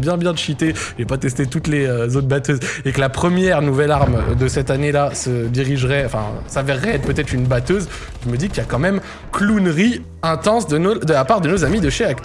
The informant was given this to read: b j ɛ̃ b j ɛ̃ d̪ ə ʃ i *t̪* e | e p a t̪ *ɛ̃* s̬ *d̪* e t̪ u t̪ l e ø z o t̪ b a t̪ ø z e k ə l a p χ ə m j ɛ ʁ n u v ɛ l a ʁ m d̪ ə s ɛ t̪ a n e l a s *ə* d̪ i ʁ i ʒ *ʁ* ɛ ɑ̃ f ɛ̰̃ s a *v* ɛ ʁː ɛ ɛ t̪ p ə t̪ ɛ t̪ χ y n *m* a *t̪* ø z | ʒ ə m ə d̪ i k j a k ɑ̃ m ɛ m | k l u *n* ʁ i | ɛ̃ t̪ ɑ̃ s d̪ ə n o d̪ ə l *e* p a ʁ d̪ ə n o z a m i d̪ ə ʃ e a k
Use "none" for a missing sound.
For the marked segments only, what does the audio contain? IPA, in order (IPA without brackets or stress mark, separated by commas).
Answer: t̪, ɛ, t̪, ə, ʁ, v, b, t̪, n, a